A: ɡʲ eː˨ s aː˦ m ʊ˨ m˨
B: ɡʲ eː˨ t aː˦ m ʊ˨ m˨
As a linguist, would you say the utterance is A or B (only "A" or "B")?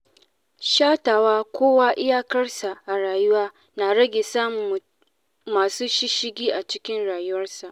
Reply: A